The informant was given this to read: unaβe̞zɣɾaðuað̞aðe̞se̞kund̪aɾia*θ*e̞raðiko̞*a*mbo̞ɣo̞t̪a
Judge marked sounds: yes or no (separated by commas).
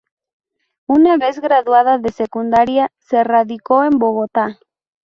no, no